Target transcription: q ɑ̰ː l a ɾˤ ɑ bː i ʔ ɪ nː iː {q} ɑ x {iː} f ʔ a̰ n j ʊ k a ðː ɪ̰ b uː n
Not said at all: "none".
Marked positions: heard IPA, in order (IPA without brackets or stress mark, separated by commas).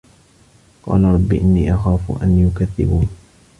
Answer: ʔ, aː